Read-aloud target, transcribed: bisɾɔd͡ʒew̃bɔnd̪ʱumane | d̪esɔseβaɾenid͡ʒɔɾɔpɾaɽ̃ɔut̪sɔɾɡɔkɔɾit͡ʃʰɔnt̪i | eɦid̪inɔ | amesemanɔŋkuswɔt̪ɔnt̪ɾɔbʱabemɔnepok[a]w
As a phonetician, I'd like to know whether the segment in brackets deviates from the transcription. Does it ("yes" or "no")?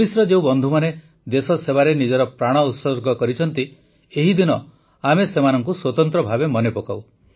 no